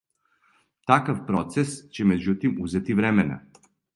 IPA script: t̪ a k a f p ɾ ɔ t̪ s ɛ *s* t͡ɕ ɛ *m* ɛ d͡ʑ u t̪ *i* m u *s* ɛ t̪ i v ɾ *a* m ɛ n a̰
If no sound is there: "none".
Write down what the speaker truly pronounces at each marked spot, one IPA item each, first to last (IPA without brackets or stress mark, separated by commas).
s, m, i, z, ɛ